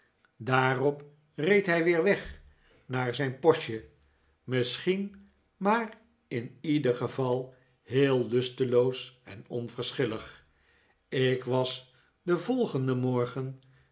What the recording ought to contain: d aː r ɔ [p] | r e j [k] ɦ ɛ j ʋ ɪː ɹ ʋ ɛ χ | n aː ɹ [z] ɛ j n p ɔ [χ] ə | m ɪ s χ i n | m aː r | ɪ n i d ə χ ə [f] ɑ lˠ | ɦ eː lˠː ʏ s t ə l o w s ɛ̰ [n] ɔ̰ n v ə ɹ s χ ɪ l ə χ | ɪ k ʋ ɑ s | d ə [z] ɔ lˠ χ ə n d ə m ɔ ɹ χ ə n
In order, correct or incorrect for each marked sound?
correct, incorrect, correct, incorrect, incorrect, correct, incorrect

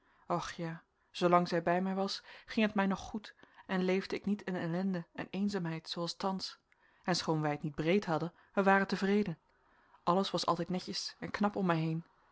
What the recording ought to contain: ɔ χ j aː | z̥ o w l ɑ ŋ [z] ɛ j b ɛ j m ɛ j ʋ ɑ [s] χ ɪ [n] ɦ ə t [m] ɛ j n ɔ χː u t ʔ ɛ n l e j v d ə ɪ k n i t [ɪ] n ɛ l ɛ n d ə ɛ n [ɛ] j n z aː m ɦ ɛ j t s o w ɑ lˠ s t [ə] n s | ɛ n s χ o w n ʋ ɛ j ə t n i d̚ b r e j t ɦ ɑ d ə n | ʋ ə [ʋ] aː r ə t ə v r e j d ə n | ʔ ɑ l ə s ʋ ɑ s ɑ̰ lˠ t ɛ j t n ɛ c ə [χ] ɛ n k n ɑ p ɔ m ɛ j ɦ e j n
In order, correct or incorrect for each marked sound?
correct, correct, incorrect, correct, correct, incorrect, incorrect, correct, incorrect

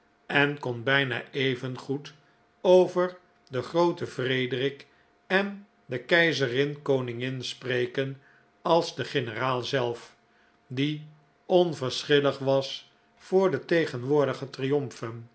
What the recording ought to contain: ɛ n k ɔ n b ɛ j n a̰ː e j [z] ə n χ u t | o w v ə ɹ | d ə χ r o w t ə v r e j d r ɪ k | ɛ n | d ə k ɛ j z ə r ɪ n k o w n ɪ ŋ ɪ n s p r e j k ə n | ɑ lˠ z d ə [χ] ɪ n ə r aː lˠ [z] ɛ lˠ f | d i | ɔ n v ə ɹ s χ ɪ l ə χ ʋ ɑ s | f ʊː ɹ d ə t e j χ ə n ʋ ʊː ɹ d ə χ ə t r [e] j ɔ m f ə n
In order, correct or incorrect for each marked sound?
incorrect, correct, correct, incorrect

